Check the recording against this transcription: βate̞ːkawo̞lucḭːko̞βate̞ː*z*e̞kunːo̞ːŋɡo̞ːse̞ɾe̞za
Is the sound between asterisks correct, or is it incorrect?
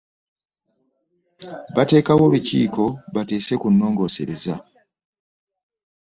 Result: incorrect: s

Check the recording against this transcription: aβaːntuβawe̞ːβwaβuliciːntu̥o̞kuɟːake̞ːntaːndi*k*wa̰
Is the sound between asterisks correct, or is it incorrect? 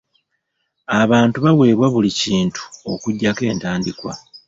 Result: correct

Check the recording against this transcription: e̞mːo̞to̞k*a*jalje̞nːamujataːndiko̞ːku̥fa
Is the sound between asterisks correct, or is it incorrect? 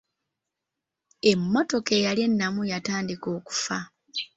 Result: incorrect: e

